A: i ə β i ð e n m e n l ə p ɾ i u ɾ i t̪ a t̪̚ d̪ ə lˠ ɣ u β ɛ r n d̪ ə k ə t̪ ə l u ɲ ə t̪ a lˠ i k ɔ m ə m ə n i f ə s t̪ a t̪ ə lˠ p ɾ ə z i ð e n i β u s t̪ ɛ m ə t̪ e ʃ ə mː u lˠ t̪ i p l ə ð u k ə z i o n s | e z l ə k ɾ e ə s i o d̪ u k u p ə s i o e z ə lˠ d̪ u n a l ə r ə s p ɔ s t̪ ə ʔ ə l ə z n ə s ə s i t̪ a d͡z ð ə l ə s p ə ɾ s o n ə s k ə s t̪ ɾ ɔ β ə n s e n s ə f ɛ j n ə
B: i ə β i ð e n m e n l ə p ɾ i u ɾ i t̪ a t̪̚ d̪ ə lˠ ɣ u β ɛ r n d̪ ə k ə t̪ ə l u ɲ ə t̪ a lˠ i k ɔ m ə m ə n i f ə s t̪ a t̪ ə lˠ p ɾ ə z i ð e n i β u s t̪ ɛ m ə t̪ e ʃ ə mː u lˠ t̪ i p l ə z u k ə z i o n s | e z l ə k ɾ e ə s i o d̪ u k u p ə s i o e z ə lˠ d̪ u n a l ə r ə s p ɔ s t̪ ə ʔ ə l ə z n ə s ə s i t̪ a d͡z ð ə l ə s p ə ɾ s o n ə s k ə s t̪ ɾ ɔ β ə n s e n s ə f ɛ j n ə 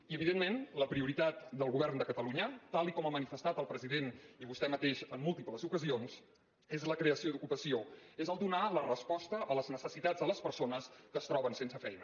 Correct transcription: B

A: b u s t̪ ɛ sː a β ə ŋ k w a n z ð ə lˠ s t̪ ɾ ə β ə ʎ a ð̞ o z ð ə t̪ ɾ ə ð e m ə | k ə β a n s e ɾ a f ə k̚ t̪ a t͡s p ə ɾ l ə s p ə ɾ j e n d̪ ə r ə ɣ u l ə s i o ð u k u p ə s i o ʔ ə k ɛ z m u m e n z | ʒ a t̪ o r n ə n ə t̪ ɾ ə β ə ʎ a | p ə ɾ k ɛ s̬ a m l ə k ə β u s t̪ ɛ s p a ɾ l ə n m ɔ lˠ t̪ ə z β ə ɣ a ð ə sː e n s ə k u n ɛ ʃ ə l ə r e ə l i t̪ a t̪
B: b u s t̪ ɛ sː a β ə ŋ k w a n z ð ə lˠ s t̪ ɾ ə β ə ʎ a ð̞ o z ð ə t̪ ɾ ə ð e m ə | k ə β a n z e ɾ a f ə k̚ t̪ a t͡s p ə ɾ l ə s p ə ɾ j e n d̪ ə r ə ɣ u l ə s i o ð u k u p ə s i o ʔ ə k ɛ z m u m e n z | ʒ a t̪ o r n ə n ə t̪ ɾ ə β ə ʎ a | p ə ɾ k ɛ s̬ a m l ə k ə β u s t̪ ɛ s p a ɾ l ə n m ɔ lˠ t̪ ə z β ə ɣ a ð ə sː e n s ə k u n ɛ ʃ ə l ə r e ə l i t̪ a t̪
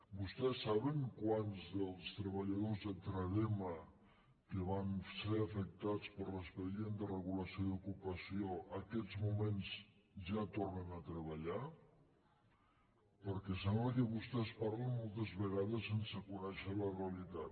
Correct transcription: A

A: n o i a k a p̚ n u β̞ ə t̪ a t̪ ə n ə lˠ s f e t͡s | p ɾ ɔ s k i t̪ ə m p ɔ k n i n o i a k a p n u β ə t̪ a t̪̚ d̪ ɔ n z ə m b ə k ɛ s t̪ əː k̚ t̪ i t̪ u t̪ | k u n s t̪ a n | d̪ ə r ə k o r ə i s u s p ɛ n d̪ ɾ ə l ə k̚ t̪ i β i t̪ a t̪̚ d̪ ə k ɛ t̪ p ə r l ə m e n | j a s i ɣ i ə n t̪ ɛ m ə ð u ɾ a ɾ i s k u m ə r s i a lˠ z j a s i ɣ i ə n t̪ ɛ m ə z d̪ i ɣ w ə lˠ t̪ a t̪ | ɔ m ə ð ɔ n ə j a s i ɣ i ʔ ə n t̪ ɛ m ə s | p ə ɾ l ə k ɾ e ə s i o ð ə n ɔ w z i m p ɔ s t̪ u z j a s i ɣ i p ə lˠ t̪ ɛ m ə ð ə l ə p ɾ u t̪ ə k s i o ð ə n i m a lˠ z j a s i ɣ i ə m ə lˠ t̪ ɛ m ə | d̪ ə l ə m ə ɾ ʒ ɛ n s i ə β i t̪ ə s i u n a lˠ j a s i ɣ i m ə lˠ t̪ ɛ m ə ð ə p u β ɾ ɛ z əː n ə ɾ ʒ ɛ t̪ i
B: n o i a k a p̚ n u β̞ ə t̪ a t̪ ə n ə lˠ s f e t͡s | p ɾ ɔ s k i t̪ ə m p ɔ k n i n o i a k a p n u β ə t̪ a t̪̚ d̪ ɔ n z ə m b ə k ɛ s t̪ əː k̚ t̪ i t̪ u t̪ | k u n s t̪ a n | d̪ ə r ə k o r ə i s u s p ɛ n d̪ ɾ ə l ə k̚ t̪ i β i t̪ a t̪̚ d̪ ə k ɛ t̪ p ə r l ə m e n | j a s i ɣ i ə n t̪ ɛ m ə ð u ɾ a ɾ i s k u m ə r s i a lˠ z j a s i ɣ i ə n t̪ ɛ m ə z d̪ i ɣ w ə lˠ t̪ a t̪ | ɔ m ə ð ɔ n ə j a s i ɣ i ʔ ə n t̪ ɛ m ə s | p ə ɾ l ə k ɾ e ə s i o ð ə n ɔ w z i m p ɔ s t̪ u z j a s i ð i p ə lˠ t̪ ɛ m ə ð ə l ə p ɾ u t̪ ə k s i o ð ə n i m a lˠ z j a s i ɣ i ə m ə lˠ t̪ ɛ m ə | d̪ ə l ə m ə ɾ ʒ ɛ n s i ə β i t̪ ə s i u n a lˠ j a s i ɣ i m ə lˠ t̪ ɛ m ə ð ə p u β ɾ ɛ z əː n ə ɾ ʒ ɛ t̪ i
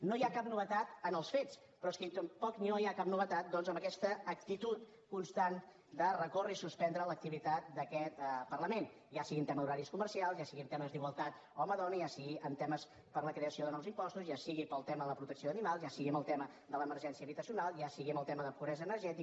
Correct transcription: A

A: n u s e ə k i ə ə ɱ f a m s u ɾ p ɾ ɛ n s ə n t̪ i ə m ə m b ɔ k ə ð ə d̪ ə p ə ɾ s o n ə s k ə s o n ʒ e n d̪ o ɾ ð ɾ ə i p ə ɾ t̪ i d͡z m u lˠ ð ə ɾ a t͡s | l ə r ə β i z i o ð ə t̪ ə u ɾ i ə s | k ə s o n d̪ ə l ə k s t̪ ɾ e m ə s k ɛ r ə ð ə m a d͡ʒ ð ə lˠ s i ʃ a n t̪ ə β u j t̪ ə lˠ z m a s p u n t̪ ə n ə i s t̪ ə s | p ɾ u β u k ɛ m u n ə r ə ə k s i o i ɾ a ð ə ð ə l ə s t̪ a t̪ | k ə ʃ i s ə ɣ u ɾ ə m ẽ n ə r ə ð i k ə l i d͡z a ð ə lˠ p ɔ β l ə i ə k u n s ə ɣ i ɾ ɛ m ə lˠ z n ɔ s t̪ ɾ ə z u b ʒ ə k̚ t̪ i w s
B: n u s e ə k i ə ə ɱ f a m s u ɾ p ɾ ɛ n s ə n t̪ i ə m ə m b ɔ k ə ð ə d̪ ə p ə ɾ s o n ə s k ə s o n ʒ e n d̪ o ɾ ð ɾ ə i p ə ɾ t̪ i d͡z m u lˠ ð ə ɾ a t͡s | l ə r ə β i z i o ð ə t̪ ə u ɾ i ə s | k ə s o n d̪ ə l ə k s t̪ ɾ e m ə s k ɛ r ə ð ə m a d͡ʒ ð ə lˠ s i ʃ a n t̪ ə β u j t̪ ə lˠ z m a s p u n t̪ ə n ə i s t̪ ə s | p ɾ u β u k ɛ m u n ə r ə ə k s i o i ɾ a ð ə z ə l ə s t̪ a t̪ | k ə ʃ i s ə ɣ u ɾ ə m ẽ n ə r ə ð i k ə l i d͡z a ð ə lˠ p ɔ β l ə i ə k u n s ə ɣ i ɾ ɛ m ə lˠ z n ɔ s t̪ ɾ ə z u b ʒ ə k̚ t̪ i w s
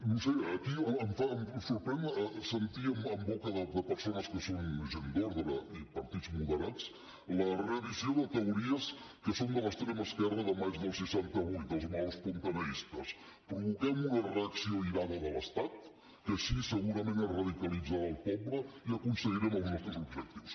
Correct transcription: A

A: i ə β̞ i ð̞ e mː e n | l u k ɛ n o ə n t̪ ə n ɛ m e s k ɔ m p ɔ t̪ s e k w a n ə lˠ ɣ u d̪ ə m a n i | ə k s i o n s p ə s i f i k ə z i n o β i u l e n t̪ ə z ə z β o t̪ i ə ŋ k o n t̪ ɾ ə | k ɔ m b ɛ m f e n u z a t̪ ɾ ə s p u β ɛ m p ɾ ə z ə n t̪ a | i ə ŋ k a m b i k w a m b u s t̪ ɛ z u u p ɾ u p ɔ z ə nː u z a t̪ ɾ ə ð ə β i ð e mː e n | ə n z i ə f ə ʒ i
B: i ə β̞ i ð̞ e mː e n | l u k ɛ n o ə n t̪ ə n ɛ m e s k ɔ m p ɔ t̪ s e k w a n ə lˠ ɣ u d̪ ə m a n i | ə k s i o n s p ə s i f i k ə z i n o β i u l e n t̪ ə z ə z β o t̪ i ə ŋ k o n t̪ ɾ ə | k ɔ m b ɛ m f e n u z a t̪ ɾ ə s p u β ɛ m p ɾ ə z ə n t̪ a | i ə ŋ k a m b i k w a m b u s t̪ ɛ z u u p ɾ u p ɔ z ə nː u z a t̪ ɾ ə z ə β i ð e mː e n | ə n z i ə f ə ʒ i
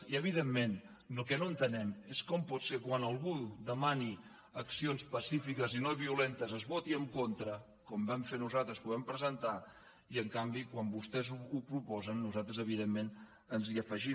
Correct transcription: B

